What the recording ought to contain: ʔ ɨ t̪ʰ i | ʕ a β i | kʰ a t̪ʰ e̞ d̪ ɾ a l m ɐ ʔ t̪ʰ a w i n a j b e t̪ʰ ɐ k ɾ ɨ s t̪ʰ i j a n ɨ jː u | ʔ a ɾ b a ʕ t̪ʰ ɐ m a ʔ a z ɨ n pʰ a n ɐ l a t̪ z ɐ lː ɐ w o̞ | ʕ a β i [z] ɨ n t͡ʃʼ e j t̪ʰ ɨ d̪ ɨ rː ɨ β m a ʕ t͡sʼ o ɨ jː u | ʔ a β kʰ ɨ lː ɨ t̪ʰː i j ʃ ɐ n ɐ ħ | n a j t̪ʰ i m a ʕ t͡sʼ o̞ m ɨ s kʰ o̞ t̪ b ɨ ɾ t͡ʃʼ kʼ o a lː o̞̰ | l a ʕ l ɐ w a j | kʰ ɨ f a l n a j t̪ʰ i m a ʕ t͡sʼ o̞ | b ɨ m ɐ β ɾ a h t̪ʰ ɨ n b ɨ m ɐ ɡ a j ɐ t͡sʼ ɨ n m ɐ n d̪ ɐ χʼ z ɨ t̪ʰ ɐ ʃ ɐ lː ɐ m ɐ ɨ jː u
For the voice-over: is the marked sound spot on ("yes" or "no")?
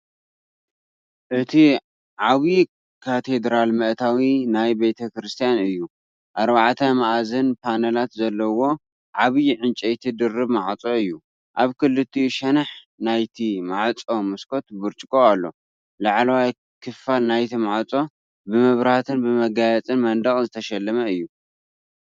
no